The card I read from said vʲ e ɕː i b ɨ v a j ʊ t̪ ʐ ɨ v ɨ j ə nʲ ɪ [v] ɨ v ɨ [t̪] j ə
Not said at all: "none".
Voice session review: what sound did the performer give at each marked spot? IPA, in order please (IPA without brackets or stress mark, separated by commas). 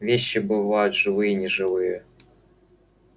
ʐ, none